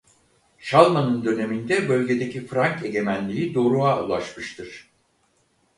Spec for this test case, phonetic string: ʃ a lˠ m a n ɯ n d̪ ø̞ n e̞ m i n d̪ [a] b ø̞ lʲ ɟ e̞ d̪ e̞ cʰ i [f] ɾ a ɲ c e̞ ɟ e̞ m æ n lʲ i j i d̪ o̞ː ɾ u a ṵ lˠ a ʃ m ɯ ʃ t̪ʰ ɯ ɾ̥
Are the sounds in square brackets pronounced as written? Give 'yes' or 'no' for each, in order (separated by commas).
no, yes